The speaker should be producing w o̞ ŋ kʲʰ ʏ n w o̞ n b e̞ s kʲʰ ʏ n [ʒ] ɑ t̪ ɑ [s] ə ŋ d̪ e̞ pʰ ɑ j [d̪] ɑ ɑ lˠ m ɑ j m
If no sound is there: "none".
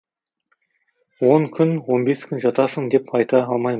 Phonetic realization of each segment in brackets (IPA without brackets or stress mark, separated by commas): ʒ, s, t̪